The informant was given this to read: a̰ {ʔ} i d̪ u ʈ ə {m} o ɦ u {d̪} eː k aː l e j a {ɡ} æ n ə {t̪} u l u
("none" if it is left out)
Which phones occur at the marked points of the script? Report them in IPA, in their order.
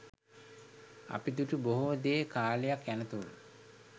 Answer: p, b, d̪, k, t̪

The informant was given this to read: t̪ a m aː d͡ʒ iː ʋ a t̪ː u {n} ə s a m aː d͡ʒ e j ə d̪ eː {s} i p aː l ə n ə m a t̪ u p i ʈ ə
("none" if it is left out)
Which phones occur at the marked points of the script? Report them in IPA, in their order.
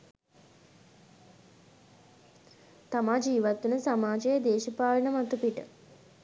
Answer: n, ʃ

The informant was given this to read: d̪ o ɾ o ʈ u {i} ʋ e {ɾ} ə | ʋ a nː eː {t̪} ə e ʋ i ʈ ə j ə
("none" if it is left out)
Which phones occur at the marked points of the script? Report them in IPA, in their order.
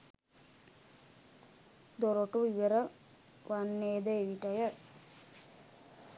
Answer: i, ɾ, d̪

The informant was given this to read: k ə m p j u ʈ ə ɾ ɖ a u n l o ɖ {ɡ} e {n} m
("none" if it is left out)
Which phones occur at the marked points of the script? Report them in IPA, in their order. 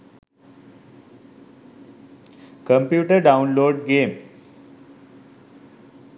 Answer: ɡ, none

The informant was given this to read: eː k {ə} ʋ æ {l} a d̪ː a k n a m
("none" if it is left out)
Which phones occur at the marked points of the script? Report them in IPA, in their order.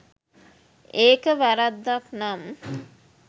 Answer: ə, ɾ

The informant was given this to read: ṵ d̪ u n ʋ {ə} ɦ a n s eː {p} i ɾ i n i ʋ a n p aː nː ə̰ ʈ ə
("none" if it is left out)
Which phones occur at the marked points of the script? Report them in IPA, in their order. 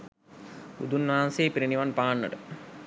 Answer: a, p

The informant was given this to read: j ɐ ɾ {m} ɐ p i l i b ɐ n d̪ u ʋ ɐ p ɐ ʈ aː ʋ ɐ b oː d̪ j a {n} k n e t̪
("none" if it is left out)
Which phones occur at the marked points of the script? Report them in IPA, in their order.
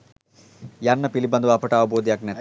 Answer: n, none

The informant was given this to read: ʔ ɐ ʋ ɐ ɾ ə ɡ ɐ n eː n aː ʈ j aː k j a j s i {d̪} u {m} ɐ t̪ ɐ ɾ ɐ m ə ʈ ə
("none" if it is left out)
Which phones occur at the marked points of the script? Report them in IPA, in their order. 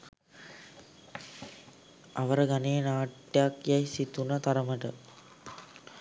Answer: t̪, n

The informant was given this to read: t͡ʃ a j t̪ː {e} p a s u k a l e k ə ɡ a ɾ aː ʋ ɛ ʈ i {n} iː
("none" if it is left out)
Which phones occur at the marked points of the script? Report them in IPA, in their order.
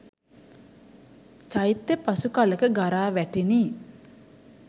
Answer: e, n

